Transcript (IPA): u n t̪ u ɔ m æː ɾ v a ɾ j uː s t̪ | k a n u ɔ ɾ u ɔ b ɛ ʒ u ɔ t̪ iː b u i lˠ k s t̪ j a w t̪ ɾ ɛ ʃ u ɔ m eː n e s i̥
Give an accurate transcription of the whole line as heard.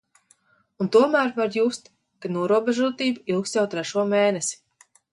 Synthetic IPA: u n t̪ u ɔ m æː ɾ v a ɾ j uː s t̪ | k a n u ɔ ɾ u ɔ b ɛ ʒ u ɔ t̪ iː b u i lˠ k s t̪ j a w t̪ ɾ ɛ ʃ u ɔ m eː n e s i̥